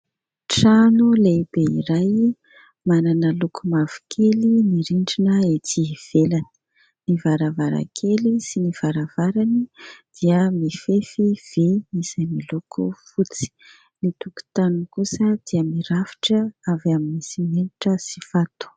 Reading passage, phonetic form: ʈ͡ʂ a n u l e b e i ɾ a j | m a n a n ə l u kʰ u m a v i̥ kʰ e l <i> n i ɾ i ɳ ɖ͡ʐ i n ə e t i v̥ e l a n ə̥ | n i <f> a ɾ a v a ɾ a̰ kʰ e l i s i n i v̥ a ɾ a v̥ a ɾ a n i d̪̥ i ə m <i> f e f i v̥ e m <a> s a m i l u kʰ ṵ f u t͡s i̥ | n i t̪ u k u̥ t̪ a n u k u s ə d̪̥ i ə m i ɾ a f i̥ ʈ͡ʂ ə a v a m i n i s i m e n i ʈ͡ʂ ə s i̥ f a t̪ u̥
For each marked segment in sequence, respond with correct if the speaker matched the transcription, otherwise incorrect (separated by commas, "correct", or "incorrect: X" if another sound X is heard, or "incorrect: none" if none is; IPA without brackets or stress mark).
correct, incorrect: v, correct, incorrect: i